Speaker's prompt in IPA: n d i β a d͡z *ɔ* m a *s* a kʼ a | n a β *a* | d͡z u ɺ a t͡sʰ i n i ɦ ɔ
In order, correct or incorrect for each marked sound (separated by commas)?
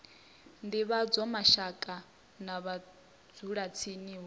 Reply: correct, incorrect, correct